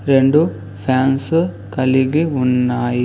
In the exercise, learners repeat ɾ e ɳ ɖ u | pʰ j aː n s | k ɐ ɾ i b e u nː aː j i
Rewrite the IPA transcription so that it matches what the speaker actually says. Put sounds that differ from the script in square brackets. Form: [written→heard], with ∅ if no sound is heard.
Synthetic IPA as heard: ɾ e ɳ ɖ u | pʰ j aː n s | k ɐ [ɾ→l] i [b→ɡ] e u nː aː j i